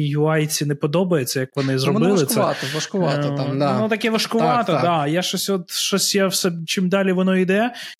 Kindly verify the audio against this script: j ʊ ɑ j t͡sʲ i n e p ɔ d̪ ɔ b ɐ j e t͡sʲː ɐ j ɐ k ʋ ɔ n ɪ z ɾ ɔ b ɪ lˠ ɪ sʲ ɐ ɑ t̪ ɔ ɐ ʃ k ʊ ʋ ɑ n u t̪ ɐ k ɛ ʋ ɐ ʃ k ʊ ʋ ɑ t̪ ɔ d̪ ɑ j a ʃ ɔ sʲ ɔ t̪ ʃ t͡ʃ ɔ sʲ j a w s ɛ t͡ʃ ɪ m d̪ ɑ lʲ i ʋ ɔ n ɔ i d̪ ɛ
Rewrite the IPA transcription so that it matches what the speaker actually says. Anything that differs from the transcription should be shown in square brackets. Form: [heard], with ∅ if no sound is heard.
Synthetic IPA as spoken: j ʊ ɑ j t͡sʲ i n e p ɔ d̪ ɔ b ɐ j e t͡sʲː ɐ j ɐ k ʋ ɔ n ɪ z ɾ ɔ b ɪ lˠ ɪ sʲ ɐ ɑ t̪ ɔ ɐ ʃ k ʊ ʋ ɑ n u t̪ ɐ k ɛ ʋ ɐ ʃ k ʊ ʋ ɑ t̪ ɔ d̪ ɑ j a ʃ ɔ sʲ ɔ t̪ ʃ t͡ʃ ɔ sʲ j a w s ɛ t͡ʃ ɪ m d̪ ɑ lʲ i ʋ ɔ n ɔ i d̪ ɛ